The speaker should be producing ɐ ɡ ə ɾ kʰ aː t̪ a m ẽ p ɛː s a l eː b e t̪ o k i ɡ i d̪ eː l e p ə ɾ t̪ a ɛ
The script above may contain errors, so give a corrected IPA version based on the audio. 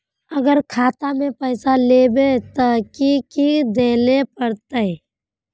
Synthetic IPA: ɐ ɡ ə ɾ kʰ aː t̪ a m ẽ p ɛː s a l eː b e t̪ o k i k i d̪ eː l e p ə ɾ t̪ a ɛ

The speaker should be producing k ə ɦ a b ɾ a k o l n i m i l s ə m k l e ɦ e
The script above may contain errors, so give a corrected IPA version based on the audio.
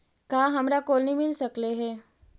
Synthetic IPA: k a ɦ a m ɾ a k o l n i m i l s ə k l e ɦ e

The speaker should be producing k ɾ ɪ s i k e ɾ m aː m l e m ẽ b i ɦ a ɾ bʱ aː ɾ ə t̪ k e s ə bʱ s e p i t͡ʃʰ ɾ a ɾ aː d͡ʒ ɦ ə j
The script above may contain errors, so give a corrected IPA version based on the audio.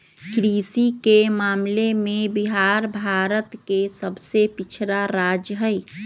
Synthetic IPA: k ɾ i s i k e m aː m l e m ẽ b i ɦ a ɾ bʱ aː ɾ ə t̪ k e s ə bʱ s e p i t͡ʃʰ ɾ a ɾ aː d͡ʒ ɦ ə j

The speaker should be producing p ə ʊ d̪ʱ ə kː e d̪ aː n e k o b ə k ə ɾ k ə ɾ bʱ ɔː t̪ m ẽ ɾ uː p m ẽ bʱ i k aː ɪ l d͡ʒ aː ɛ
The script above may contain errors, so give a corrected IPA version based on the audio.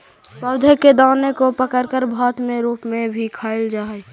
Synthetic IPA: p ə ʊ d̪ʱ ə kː e d̪ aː n e k o p ə k ə ɾ k ə ɾ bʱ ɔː t̪ m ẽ ɾ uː p m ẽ bʱ i kʰ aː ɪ l d͡ʒ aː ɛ

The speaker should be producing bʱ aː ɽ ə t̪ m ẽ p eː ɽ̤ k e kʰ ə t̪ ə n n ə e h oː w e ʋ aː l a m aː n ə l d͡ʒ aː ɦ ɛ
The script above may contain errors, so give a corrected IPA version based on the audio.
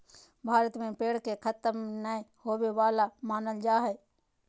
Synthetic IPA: bʱ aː ɾ ə t̪ m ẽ p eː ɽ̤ k e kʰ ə t̪ ə m n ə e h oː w e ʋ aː l a m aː n ə l d͡ʒ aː ɦ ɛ

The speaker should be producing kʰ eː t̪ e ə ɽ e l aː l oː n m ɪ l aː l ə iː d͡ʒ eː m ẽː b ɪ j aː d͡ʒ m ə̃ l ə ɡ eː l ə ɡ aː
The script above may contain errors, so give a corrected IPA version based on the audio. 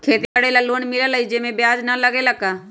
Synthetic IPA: kʰ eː t̪ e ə ɽ e l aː l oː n m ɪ l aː l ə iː d͡ʒ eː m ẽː b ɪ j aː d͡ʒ n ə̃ l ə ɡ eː l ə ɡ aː

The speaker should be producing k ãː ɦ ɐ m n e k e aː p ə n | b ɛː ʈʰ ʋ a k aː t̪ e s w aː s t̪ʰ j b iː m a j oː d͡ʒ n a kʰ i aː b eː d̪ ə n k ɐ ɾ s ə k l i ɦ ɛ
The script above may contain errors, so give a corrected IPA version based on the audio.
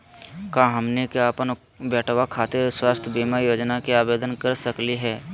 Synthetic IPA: k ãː ɦ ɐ m n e k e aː p ə n | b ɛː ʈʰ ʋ a kʰ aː t̪ e s w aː s t̪ʰ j b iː m a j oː d͡ʒ n a k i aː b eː d̪ ə n k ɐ ɾ s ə k l i ɦ ɛː

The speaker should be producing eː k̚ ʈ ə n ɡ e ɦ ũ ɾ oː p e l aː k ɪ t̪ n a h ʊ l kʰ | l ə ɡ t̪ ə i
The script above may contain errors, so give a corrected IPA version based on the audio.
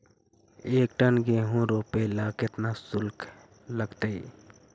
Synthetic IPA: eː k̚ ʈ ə n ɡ e ɦ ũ ɾ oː p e l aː k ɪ t̪ n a s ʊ l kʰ | l ə ɡ t̪ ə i

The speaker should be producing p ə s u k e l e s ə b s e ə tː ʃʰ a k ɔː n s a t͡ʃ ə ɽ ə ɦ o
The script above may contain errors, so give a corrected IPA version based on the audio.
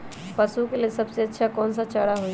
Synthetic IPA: p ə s u k e l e s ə b s e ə tː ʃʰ a k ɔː n s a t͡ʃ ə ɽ a ɦ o

